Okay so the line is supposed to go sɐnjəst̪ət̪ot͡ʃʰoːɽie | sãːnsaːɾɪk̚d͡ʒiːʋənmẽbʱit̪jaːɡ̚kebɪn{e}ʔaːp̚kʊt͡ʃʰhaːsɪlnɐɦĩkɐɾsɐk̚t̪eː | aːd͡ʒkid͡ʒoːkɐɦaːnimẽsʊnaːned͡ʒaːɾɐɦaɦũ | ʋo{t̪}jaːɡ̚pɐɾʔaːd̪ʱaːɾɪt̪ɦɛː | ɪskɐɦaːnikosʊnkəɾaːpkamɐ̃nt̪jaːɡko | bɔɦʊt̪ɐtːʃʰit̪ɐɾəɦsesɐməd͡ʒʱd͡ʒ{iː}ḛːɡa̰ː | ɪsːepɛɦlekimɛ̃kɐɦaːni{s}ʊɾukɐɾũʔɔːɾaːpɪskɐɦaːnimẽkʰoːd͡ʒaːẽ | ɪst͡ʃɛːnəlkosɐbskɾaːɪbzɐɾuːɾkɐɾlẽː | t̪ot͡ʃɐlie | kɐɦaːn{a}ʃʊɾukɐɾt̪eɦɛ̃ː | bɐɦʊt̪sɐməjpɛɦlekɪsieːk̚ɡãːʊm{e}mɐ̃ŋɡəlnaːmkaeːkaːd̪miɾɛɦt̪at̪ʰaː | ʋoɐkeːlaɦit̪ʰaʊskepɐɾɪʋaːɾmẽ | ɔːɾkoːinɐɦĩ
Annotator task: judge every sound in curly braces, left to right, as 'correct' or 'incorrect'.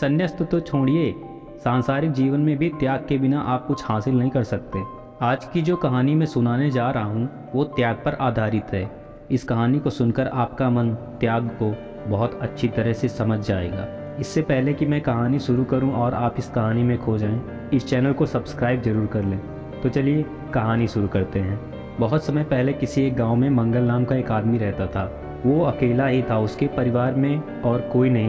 incorrect, correct, incorrect, incorrect, incorrect, incorrect

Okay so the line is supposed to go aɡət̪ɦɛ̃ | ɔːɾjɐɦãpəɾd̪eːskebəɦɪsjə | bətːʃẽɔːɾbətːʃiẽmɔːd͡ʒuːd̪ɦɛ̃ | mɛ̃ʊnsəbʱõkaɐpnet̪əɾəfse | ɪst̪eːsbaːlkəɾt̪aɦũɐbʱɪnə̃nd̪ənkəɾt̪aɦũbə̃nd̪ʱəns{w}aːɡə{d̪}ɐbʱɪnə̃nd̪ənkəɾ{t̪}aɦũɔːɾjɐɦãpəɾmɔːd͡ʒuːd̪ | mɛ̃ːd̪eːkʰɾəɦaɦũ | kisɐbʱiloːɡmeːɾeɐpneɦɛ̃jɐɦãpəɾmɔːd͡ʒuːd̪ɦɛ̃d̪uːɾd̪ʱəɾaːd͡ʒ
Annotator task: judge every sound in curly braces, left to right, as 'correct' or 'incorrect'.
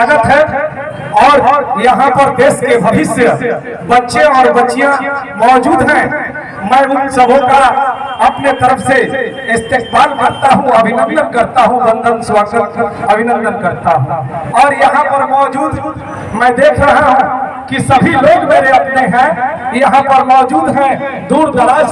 correct, incorrect, correct

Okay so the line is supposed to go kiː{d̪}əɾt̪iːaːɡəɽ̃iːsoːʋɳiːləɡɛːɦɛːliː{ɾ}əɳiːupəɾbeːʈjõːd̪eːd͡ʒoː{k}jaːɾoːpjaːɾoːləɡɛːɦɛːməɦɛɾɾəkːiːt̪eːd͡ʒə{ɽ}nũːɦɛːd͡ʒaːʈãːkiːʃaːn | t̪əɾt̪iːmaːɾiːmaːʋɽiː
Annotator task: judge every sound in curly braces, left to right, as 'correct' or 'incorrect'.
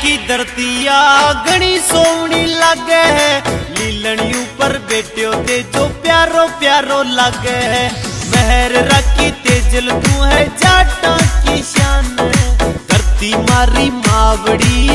correct, incorrect, incorrect, incorrect

